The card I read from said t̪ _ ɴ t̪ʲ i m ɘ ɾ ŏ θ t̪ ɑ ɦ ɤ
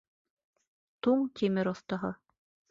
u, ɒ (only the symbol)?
u